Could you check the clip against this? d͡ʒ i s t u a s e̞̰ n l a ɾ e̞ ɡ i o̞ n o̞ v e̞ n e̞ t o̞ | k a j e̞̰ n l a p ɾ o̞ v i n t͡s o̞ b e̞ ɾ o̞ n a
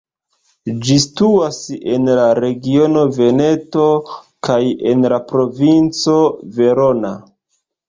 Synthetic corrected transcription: d͡ʒ i s t u a s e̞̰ n l a ɾ e̞ ɡ i o̞ n o̞ v e̞ n e̞ t o̞ | k a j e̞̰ n l a p ɾ o̞ v i n t͡s o̞ v e̞ ɾ o̞ n a